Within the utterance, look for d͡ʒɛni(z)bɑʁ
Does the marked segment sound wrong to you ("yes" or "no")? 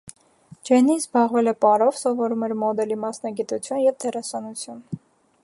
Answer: no